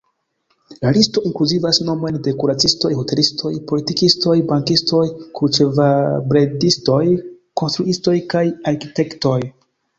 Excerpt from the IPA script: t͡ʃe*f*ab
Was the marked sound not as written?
yes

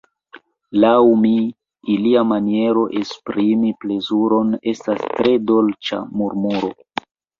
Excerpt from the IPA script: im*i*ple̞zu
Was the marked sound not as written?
no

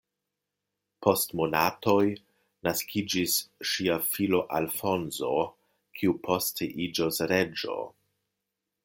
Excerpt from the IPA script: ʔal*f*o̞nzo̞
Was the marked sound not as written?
no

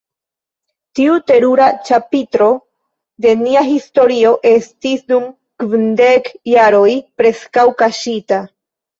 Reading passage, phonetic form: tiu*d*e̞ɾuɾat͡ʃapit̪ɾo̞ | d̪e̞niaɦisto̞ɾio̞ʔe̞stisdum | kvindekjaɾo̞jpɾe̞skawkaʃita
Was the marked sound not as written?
yes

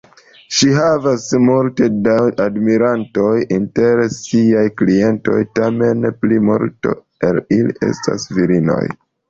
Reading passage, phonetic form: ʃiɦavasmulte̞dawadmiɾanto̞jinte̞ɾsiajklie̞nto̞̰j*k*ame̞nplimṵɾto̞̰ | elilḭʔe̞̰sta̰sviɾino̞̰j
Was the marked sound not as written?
yes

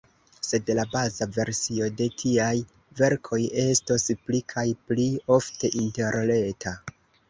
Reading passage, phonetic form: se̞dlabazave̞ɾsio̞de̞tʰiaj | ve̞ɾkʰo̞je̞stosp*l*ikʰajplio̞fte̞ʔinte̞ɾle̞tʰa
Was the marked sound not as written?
no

